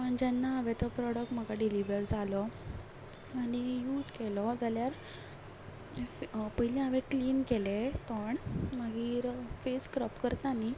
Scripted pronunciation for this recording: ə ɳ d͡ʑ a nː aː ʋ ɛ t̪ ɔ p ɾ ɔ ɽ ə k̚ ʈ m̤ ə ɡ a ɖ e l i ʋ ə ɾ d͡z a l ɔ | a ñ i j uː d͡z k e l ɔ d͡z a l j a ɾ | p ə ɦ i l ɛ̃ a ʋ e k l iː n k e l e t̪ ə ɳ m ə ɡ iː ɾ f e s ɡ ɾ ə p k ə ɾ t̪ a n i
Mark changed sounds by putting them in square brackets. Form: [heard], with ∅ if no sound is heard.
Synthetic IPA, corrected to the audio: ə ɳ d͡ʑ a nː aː ʋ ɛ t̪ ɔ p ɾ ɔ ɽ ə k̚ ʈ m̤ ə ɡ a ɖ [i] l i ʋ ə ɾ d͡z a l ɔ | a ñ i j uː d͡z k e l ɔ d͡z a l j a ɾ | p ə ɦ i l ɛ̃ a ʋ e k l iː n k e l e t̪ ə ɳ m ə ɡ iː ɾ f e s [k] ɾ ə p k ə ɾ t̪ a n i